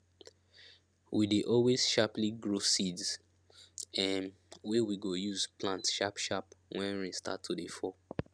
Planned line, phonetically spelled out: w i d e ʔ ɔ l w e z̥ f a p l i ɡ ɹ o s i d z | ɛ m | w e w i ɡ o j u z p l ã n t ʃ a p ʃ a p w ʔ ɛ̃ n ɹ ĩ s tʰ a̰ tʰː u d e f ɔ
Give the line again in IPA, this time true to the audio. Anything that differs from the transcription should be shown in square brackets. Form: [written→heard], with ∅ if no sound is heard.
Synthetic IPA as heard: w i d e ʔ ɔ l w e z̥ [f→ʃ] a p l i ɡ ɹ o s i d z | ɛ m | w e w i ɡ o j u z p l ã n t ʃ a p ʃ a p w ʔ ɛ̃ n ɹ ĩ s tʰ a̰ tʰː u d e f ɔ